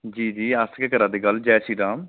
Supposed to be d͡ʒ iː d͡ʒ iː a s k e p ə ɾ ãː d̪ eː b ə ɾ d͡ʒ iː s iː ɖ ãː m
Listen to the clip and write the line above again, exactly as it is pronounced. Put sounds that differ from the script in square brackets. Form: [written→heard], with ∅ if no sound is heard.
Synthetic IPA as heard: d͡ʒ iː d͡ʒ iː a s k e [p→k] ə ɾ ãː d̪ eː [b→ɡ] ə [ɾ→l] d͡ʒ [iː→ɛː] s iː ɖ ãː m